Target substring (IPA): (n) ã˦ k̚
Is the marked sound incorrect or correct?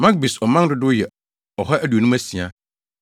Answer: incorrect